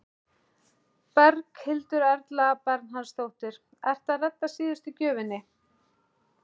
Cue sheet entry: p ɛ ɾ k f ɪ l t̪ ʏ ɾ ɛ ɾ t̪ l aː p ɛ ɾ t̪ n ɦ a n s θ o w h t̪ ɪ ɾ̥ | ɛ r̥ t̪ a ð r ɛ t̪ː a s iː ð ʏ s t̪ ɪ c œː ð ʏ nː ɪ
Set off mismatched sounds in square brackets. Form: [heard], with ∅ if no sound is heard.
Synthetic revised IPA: p ɛ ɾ k [h] ɪ l t̪ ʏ ɾ ɛ ɾ t̪ l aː p ɛ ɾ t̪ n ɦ a n s θ o w h t̪ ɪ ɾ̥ | ɛ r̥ t̪ a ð r ɛ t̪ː a s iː ð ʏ s t̪ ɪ c œː [v] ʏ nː ɪ